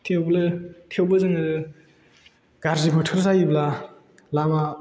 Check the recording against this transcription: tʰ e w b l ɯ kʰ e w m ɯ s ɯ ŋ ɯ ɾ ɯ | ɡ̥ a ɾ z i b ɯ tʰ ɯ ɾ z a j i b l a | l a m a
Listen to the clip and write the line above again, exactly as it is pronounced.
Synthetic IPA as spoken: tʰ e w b l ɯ tʰ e w b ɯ z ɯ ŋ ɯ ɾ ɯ | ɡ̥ a ɾ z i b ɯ tʰ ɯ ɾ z a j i b l a | l a m a